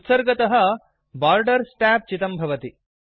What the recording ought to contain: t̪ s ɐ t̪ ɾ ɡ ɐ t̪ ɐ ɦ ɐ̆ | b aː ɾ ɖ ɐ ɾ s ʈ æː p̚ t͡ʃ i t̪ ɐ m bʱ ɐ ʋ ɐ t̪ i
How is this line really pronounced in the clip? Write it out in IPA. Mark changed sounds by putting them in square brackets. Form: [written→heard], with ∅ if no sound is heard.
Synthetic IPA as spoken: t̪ s ɐ [t̪→∅] ɾ ɡ ɐ t̪ ɐ ɦ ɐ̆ | b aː ɾ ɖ ɐ ɾ s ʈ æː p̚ t͡ʃ i t̪ ɐ m bʱ ɐ ʋ ɐ t̪ i